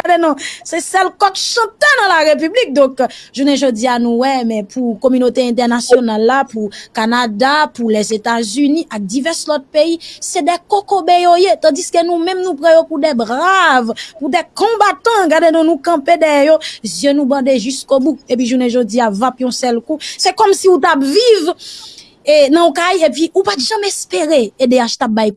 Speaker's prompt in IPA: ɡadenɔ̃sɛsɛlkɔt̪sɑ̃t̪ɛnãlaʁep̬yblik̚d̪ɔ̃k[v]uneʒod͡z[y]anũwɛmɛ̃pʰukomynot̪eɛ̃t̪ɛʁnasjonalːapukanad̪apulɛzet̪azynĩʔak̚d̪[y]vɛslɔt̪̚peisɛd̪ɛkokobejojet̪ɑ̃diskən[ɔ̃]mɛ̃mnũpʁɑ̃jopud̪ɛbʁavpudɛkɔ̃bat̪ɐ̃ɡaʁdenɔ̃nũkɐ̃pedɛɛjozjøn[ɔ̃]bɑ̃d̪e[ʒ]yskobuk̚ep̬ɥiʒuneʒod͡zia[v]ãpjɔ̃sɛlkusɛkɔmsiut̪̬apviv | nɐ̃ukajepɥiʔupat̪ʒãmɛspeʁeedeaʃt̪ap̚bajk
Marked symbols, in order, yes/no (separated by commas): no, no, no, no, no, yes, yes